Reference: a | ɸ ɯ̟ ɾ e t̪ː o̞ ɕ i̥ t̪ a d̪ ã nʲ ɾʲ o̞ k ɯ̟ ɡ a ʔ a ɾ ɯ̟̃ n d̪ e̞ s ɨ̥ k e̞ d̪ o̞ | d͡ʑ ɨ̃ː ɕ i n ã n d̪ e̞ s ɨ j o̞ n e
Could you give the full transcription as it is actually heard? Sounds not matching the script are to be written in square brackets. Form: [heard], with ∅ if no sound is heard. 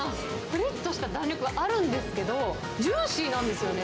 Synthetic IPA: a | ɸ ɯ̟ ɾ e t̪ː o̞ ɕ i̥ t̪ a d̪ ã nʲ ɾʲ o̞ k ɯ̟ ɡ a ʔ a ɾ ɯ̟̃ n d̪ e̞ s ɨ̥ k e̞ d̪ o̞ | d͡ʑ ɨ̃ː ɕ i n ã n d̪ e̞ s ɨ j o̞ n e